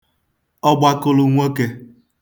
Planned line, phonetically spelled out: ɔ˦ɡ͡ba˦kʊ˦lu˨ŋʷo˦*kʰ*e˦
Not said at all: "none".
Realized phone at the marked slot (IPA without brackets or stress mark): k